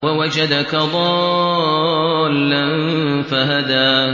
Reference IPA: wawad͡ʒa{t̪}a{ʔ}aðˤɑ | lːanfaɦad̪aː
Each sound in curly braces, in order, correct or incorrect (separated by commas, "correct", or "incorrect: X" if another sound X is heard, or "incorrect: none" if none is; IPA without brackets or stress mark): incorrect: d̪, incorrect: k